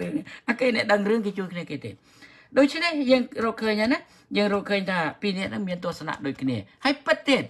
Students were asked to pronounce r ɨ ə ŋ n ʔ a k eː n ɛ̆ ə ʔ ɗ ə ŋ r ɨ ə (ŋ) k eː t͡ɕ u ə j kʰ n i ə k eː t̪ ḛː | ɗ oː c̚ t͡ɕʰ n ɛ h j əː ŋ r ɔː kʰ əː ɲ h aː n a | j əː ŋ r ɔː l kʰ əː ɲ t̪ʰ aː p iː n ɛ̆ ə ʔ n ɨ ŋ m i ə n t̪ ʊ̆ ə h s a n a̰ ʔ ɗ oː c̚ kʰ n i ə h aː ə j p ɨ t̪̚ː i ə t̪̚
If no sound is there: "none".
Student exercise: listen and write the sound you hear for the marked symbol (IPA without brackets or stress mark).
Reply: ŋ